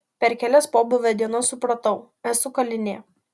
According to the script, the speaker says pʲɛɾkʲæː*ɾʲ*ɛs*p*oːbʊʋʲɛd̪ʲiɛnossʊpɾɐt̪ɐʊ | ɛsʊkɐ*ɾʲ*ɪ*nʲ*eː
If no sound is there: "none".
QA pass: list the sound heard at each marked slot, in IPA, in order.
lʲ, p, lʲ, nʲ

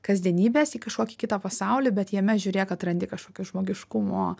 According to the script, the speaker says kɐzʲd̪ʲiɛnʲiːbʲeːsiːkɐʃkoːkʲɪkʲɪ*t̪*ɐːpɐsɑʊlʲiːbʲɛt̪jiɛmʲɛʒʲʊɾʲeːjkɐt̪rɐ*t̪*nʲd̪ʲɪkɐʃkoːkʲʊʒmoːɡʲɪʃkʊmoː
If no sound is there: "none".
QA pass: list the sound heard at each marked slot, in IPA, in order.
t̪, none

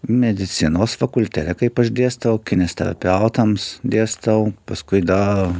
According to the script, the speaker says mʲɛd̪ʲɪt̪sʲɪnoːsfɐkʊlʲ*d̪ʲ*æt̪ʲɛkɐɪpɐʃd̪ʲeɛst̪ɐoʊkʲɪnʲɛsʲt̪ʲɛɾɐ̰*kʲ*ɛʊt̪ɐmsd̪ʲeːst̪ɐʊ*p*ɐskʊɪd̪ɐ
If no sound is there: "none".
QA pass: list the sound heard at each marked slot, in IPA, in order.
t̪ʲ, pʲ, p

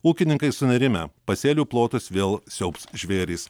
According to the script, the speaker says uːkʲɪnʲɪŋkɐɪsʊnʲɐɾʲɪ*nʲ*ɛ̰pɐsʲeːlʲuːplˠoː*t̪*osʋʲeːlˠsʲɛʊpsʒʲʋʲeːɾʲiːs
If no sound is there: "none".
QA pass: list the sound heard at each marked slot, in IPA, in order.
mʲ, t̪

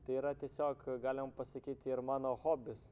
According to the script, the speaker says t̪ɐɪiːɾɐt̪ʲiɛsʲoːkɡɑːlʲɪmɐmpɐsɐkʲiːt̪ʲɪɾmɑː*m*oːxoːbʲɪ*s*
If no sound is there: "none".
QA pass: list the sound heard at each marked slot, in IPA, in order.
n, s

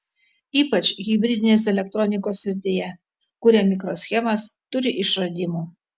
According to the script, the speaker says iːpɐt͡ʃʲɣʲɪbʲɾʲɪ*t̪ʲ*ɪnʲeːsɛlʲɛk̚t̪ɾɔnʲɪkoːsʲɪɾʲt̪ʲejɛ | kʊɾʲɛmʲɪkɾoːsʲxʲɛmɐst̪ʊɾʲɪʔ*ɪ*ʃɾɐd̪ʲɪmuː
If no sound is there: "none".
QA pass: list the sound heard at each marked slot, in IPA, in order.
d̪ʲ, ɪ

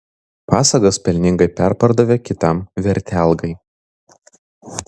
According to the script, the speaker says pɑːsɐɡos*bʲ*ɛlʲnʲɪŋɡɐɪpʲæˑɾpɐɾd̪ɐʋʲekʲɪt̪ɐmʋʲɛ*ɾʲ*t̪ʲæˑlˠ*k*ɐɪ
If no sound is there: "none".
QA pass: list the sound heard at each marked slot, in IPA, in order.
pʲ, ɾʲ, ɡ

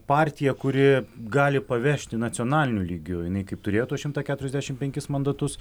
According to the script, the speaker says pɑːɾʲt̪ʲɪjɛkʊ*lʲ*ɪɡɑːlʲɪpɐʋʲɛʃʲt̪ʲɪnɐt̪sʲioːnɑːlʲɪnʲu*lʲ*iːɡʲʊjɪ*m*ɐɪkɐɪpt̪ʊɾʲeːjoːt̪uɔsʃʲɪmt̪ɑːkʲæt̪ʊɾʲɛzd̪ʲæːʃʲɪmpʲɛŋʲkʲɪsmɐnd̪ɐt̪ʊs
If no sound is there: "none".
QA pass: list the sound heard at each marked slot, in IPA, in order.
ɾʲ, lʲ, n

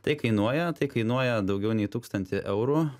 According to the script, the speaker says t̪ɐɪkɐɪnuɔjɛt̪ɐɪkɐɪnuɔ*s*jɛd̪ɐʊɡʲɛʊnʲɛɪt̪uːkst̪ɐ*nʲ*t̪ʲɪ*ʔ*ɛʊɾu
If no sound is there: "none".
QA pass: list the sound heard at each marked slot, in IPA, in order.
none, nʲ, ʔ

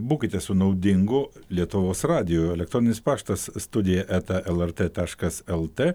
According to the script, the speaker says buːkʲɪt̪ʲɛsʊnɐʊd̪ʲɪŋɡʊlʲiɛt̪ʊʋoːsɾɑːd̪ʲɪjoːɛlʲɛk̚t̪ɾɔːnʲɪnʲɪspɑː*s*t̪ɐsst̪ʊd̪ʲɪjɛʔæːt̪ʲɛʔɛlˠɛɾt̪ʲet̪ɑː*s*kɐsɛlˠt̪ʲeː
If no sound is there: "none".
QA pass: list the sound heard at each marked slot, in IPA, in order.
ʃ, ʃ

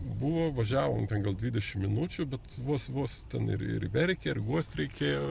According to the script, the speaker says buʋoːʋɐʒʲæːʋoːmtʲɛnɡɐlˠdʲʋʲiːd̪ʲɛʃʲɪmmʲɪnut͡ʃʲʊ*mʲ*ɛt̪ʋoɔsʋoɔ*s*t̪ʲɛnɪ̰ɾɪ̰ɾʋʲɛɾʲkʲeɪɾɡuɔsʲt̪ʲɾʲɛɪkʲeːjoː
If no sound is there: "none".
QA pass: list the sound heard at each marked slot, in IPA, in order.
bʲ, s

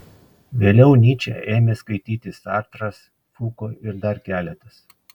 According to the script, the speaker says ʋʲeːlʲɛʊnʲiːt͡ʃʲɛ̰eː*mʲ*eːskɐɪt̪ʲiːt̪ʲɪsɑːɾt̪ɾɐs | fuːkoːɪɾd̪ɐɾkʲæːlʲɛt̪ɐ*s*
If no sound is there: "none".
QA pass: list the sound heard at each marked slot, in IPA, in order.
mʲ, s

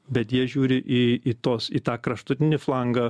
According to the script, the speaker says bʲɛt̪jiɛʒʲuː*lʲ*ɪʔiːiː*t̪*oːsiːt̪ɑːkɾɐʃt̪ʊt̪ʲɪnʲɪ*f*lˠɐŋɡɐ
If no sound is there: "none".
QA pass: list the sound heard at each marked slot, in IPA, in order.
ɾʲ, t̪, f

